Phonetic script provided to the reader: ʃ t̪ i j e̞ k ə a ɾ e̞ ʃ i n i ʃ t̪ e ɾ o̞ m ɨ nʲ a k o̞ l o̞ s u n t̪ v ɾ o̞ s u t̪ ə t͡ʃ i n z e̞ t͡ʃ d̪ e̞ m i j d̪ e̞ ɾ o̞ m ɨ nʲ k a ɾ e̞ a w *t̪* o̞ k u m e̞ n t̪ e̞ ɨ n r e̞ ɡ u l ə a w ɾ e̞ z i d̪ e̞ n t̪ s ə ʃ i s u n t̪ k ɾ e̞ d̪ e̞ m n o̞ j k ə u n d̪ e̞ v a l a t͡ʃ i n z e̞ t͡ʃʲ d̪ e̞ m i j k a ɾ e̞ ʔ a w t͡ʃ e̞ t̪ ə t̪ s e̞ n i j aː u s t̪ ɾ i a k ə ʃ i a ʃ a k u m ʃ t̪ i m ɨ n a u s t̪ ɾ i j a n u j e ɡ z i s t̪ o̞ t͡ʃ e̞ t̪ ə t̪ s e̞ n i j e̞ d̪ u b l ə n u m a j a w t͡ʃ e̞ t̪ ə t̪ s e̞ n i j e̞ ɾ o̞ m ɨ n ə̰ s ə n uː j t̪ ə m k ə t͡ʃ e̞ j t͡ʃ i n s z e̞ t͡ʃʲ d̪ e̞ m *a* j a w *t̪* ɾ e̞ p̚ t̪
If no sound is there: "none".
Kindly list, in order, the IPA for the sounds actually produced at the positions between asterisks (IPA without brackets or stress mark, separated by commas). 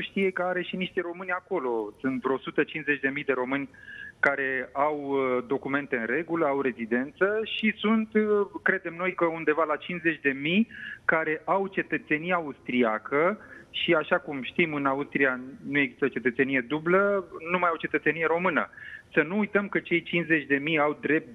d̪, i, d̪